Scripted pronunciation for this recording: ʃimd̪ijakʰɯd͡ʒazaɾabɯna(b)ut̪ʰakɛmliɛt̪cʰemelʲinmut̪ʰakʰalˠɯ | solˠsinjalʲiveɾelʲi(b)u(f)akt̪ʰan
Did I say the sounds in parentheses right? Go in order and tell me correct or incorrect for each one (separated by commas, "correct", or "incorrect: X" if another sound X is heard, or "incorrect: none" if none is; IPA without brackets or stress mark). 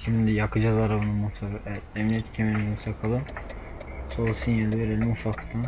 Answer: incorrect: m, incorrect: m, correct